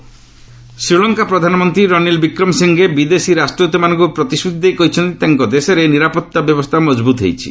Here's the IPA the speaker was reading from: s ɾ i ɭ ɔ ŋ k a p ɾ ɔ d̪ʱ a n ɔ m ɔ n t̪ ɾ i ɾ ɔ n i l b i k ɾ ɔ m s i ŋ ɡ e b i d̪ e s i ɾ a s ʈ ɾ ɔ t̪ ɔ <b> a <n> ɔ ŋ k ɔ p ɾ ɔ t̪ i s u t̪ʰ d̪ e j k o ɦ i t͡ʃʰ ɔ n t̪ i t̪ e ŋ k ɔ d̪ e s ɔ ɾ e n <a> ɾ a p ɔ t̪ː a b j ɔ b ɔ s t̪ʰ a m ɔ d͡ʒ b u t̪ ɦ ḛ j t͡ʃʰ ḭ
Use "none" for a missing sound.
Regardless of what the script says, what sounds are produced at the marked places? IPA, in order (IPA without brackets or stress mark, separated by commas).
m, n, i